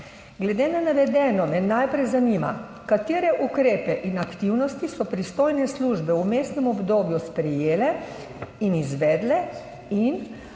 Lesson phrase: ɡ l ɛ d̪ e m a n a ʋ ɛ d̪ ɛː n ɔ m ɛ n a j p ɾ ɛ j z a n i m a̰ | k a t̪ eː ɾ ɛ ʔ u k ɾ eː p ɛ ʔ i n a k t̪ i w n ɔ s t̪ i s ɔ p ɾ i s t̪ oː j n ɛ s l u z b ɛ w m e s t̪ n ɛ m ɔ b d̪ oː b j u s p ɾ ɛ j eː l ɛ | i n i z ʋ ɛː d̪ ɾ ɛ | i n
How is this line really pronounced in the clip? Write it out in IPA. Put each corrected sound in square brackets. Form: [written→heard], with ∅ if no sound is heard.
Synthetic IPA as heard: ɡ l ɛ d̪ e [m→n] a n a ʋ ɛ d̪ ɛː n ɔ m ɛ n a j p ɾ ɛ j z a n i m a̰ | k a t̪ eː ɾ ɛ ʔ u k ɾ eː p ɛ ʔ i n a k t̪ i w n ɔ s t̪ i s ɔ p ɾ i s t̪ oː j n ɛ s l u [z→ʒ] b ɛ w m e s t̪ n ɛ m ɔ b d̪ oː b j u s p ɾ ɛ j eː l ɛ | i n i z ʋ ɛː d̪ [ɾ→l] ɛ | i n